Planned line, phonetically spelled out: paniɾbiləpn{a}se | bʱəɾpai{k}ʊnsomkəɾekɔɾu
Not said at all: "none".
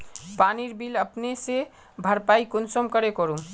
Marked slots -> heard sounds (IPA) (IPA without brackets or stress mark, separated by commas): e, k